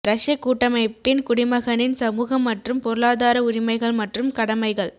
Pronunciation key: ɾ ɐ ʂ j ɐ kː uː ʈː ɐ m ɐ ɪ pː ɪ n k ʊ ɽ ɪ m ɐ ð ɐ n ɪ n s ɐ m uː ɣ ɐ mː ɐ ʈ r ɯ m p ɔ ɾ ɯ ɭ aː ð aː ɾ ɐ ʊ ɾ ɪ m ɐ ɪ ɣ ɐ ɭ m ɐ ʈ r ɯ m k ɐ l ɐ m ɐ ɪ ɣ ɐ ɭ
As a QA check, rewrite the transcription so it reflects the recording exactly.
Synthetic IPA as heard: ɾ ɐ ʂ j ɐ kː uː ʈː ɐ m ɐ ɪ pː ɪ n k ʊ ɽ ɪ m ɐ ɣ ɐ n ɪ n s ɐ m uː ɣ ɐ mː ɐ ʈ r ɯ m p ɔ ɾ ɯ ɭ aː ð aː ɾ ɐ ʊ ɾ ɪ m ɐ ɪ ɣ ɐ ɭ m ɐ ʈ r ɯ m k ɐ ɽ ɐ m ɐ ɪ ɣ ɐ ɭ